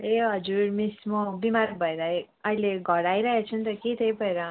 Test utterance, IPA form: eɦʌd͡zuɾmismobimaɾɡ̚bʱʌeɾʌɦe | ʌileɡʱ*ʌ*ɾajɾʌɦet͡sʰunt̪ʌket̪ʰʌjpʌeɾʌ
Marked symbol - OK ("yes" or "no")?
yes